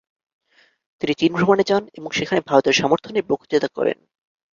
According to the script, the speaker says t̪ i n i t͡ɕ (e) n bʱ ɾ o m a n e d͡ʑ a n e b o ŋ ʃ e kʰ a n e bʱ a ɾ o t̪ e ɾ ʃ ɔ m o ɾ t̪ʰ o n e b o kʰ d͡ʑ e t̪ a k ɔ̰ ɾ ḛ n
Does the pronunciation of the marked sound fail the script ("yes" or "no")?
yes